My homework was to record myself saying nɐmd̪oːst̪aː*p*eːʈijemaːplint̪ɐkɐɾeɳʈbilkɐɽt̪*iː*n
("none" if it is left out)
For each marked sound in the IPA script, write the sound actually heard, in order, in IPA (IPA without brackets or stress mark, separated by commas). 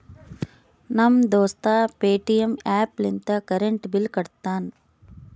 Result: p, aː